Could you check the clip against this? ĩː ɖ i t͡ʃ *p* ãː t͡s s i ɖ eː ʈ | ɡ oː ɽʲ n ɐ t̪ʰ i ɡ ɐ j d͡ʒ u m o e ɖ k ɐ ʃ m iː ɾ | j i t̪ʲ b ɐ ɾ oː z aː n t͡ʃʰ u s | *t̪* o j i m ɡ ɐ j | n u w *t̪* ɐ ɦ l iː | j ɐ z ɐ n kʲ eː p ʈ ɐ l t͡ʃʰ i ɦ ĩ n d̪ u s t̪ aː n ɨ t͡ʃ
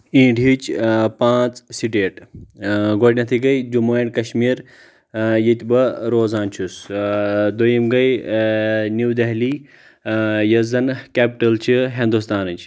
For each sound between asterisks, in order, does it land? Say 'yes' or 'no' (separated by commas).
yes, no, no